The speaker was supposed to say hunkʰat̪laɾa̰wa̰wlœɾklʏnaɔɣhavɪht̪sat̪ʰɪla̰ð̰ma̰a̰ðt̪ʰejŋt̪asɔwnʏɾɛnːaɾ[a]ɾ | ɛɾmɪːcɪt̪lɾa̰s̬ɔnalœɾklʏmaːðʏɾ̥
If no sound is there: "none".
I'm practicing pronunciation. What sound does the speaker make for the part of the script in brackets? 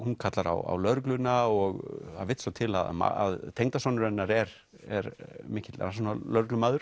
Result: ɛ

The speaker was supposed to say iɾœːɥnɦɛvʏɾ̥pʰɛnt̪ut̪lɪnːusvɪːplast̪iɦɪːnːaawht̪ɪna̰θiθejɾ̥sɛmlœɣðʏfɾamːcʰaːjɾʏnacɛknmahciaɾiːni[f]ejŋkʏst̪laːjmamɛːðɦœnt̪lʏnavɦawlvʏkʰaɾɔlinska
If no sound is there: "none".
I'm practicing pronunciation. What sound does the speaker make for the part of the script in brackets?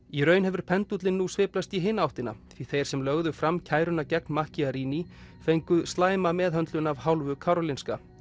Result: f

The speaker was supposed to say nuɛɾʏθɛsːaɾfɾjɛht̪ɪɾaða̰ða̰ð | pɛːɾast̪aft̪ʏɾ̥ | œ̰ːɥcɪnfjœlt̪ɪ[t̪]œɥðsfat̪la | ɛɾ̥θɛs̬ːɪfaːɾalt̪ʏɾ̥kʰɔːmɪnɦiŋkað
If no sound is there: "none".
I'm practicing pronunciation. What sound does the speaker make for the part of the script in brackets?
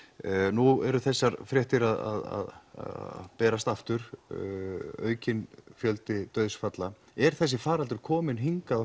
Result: t̪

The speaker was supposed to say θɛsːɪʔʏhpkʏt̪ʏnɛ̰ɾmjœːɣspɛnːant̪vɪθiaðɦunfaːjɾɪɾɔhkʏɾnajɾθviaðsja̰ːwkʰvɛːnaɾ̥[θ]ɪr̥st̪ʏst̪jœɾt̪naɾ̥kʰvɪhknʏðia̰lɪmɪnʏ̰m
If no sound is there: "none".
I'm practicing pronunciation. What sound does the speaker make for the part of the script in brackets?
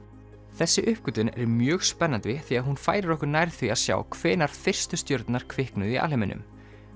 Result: f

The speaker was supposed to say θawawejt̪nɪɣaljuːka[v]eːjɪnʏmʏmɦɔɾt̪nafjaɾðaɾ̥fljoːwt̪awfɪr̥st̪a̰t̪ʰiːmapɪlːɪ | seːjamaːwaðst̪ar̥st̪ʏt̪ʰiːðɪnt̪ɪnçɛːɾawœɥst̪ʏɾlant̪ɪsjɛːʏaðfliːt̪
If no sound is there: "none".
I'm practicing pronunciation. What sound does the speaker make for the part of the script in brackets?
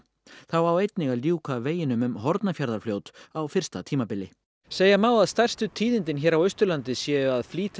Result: v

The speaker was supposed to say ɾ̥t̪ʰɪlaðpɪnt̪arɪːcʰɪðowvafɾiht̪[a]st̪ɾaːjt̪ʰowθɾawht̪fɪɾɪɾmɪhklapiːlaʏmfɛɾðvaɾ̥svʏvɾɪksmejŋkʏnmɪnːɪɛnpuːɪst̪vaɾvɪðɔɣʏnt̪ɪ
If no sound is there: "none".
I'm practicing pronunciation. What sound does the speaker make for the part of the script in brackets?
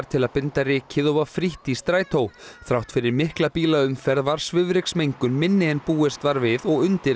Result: i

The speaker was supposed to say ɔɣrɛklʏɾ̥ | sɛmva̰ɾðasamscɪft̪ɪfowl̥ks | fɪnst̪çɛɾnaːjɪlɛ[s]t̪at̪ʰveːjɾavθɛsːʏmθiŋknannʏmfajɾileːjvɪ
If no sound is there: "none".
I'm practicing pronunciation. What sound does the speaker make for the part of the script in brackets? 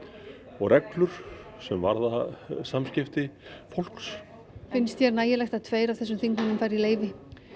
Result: x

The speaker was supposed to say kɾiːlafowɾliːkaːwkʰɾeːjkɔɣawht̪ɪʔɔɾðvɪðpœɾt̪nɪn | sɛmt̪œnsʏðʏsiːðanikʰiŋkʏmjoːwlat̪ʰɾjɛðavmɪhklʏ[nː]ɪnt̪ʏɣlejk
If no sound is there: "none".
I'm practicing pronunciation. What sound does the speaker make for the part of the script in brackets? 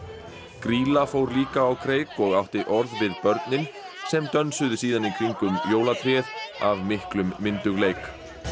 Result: mː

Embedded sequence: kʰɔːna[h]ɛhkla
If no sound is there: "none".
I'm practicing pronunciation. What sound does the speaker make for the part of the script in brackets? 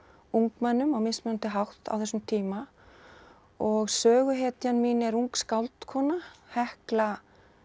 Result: h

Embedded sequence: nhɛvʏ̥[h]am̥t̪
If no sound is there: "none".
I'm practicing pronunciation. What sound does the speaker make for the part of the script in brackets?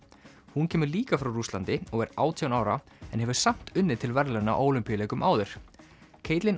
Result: s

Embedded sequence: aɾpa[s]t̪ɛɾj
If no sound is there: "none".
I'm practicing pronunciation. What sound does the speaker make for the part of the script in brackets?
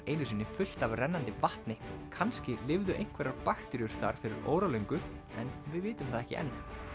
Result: x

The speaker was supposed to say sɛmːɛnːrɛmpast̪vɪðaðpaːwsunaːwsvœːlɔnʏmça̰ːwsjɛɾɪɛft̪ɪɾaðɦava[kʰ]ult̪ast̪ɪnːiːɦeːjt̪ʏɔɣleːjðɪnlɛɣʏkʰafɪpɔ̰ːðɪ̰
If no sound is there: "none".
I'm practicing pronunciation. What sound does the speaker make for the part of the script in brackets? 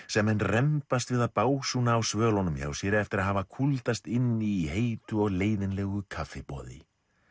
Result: kʰ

